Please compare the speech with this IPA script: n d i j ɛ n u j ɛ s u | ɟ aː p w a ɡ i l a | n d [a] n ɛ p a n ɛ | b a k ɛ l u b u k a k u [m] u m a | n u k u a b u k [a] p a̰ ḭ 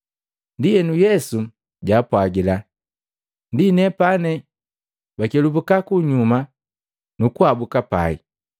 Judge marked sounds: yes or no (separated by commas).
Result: no, no, yes